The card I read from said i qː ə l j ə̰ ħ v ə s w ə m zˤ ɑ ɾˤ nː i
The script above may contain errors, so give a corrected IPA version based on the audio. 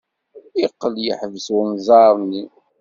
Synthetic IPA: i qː ə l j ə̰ ħ v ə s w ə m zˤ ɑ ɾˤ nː i